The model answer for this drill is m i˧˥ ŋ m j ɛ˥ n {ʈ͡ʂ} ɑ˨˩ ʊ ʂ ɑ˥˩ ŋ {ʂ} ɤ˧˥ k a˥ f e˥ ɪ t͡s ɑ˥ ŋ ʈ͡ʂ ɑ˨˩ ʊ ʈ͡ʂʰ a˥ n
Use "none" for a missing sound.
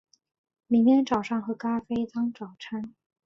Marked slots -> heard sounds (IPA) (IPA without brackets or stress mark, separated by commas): ʈ͡ʂ, x